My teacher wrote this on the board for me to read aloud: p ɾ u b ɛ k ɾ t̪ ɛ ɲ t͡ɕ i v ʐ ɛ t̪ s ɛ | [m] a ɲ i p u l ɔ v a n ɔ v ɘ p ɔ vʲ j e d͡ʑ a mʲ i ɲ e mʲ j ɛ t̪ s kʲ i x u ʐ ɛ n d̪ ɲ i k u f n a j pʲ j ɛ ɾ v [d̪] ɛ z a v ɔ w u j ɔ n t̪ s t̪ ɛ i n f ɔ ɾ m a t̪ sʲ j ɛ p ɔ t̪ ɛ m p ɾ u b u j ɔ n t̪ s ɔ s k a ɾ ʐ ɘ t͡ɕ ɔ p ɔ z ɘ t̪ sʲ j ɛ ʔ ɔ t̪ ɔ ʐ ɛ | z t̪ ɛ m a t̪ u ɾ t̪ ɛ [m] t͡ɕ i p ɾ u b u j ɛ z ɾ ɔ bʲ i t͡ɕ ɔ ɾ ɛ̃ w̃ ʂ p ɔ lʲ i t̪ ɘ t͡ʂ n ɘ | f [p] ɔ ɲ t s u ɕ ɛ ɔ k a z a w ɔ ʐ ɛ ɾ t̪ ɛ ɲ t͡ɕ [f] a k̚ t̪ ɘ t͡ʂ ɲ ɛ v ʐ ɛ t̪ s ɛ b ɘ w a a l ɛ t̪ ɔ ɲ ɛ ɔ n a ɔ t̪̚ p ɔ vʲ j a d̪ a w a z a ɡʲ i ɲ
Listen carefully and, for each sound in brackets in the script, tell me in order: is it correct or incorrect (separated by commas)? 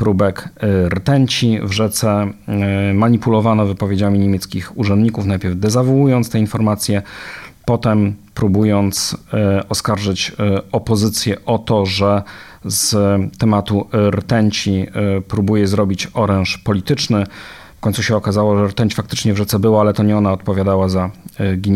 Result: correct, correct, incorrect, incorrect, correct